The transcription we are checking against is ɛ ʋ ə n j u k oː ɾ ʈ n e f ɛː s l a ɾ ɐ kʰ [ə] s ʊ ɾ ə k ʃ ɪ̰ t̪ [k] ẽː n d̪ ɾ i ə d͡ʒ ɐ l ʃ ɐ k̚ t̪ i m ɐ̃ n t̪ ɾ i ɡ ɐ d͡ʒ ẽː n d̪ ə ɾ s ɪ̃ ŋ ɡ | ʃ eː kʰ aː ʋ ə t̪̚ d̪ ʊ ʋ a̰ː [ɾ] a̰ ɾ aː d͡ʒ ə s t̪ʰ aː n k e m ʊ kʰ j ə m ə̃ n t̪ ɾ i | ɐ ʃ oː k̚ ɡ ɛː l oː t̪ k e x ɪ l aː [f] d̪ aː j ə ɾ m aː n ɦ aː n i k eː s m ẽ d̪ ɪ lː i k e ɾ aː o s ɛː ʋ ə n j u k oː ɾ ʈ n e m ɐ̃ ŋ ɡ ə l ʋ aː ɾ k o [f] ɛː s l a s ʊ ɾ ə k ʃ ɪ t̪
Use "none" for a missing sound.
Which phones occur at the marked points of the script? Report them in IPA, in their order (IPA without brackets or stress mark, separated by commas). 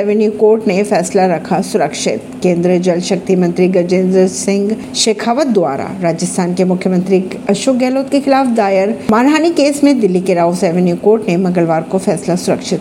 a, k, ɾ, f, f